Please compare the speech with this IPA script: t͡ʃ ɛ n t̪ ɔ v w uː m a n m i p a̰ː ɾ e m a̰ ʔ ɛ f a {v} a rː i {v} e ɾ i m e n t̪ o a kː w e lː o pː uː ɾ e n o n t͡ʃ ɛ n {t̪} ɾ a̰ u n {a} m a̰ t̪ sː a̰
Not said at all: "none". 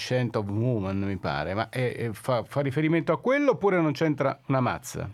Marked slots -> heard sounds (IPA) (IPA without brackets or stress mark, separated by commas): f, f, t̪, a